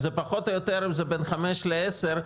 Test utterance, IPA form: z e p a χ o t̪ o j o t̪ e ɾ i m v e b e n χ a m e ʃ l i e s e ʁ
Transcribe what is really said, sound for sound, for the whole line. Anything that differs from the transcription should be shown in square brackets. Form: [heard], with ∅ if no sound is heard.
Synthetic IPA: z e p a χ o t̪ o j o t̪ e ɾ i m [z] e b e n χ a m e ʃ l [e] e s e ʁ